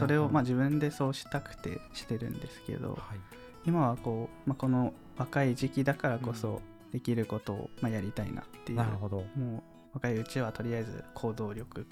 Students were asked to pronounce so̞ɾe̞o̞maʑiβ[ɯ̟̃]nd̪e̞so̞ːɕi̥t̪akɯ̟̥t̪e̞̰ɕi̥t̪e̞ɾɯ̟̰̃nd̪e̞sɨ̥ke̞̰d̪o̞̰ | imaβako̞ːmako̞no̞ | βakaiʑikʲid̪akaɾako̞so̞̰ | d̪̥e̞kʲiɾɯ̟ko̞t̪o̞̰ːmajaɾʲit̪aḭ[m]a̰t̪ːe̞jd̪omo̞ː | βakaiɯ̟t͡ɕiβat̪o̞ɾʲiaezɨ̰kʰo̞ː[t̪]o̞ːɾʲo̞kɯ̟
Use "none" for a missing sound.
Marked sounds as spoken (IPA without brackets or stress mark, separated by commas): ɯ̟̃, n, d̪